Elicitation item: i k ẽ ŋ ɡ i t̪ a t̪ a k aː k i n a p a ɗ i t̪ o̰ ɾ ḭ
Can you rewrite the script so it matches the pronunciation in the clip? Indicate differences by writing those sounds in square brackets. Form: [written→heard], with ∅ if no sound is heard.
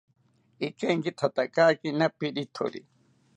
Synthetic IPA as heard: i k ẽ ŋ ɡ i [t̪→t̪ʰ] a t̪ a k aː k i n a p [a→i] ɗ i [t̪→t̪ʰ] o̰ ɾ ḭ